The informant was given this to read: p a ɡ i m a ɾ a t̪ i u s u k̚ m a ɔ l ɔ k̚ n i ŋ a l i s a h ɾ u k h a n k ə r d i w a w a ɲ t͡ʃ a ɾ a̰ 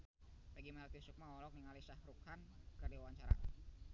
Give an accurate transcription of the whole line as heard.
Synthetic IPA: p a ɡ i m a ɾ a t̪ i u s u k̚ m a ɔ l ɔ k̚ n i ŋ a l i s a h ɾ u k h a n k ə r d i w a w a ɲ t͡ʃ a ɾ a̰

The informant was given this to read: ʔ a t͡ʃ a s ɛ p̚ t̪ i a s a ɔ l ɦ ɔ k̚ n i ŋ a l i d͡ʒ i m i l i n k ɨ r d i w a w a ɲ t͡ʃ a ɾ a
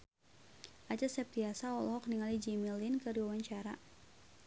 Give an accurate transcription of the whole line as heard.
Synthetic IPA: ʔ a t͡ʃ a s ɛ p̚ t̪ i a s a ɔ l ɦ ɔ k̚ n i ŋ a l i d͡ʒ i m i l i n k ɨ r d i w a w a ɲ t͡ʃ a ɾ a

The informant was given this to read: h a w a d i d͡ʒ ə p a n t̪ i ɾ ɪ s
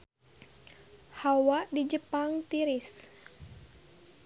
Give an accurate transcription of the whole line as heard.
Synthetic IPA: h a w a d i d͡ʒ ə p a ŋ t̪ i ɾ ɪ s

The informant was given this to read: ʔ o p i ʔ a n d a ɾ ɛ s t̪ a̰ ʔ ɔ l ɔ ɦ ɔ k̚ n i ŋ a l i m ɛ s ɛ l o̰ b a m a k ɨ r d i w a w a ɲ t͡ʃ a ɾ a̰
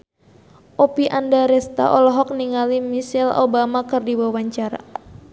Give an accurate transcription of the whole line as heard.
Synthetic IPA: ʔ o p i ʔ a n d a ɾ ɛ s t̪ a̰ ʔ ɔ l ɔ ɦ ɔ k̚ n i ŋ a l i m i s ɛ l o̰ b a m a k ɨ r d i w a w a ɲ t͡ʃ a ɾ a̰

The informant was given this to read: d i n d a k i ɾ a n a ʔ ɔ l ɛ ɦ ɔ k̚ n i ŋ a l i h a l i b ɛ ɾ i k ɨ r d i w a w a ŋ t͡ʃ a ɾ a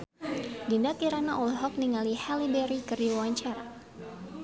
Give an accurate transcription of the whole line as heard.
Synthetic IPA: d i n d a k i ɾ a n a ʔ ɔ l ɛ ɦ ɔ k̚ n i ŋ a l i h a l i b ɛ ɾ i k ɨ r d i w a w a ɲ t͡ʃ a ɾ a

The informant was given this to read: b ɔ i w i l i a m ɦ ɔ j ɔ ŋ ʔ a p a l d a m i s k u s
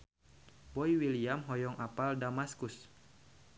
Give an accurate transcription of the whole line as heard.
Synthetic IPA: b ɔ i w i l i a m ɦ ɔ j ɔ ŋ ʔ a p a l d a m a s k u s

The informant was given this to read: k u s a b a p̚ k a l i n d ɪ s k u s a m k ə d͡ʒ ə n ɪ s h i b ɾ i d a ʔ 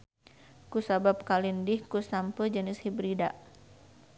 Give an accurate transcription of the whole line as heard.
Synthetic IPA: k u s a b a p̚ k a l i n d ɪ h k u s a m p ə d͡ʒ ə n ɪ s h i b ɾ i d a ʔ

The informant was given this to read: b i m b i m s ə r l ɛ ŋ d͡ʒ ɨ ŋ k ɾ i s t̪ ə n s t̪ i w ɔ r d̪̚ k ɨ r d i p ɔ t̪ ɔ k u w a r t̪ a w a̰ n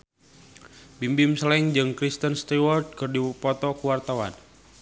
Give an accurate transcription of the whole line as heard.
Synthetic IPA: b i m b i m s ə l ɛ ŋ d͡ʒ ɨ ŋ k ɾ i s t̪ ə n s t̪ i w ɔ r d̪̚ k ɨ r d i p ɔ t̪ ɔ k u w a r t̪ a w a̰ n

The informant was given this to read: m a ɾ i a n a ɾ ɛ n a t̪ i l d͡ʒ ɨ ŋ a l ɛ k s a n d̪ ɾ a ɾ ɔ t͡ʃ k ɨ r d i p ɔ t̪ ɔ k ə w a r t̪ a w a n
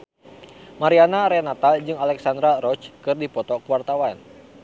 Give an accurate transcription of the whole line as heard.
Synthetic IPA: m a ɾ i a n a ɾ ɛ n a t̪ a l d͡ʒ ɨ ŋ a l ɛ k s a n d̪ ɾ a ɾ ɔ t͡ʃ k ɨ r d i p ɔ t̪ ɔ k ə w a r t̪ a w a n

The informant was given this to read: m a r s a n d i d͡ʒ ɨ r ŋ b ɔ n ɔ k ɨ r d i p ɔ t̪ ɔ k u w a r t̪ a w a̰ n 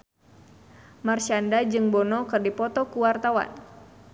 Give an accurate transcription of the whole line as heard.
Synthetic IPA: m a r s a n d a d͡ʒ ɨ ŋ b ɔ n ɔ k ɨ r d i p ɔ t̪ ɔ k u w a r t̪ a w a̰ n

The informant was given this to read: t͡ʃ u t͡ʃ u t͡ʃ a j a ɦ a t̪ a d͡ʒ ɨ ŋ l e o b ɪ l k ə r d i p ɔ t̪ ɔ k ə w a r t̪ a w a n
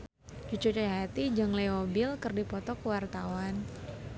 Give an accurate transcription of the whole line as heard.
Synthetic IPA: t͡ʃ u t͡ʃ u t͡ʃ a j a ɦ a t̪ i d͡ʒ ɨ ŋ l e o b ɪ l k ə r d i p ɔ t̪ ɔ k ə w a r t̪ a w a n

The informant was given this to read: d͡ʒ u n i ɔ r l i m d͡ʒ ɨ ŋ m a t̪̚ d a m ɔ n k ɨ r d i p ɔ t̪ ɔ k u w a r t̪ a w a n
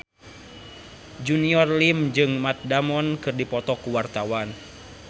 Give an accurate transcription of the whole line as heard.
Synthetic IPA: d͡ʒ u n i ɔ r l i m d͡ʒ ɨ ŋ m a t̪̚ d a m ɔ n k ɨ r d i p ɔ t̪ ɔ k u w a r t̪ a w a n

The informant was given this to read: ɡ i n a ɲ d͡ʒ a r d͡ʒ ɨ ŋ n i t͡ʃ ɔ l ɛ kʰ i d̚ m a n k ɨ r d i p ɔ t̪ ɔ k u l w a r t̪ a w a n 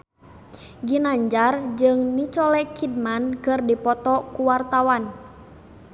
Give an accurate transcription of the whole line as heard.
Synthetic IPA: ɡ i n a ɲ d͡ʒ a r d͡ʒ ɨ ŋ n i t͡ʃ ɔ l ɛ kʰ i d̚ m a n k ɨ r d i p ɔ t̪ ɔ k u w a r t̪ a w a n

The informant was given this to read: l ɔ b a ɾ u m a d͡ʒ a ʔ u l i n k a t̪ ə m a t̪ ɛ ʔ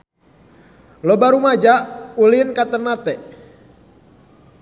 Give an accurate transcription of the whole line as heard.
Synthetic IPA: l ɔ b a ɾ u m a d͡ʒ a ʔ u l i n k a t̪ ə n a t̪ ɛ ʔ

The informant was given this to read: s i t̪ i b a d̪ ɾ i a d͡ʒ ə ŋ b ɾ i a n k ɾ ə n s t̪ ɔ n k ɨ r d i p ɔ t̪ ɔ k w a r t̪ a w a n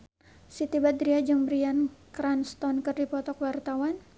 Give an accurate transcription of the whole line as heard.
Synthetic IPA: s i t̪ i b a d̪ ɾ i a d͡ʒ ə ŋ b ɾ i a n k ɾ a n s t̪ ɔ n k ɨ r d i p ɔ t̪ ɔ k w a r t̪ a w a n

